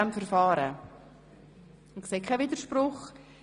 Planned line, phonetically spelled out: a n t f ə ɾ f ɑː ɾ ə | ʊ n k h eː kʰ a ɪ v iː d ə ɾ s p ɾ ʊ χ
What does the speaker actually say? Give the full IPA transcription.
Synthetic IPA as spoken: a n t f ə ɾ f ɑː ɾ ə | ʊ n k s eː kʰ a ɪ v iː d ə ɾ ʃ p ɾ ʊ χ